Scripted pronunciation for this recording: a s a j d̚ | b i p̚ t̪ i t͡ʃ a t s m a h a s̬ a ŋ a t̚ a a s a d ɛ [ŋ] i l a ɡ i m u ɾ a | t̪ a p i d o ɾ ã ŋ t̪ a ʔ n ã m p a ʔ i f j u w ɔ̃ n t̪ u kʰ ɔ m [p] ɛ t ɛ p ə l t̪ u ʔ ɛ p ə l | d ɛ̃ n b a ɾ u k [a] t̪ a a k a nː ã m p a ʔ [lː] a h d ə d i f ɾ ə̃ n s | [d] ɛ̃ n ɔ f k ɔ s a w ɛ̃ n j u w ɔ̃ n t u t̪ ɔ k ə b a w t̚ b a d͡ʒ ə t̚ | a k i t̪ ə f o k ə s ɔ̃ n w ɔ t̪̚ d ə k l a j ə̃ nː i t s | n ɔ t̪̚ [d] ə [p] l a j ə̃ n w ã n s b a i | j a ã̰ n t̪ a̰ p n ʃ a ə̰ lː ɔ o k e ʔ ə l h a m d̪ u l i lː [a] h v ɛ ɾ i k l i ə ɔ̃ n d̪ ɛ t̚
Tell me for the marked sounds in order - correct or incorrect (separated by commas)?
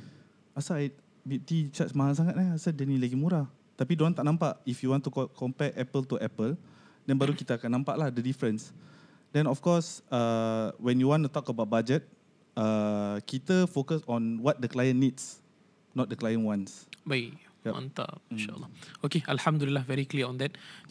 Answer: incorrect, correct, incorrect, incorrect, correct, correct, incorrect, correct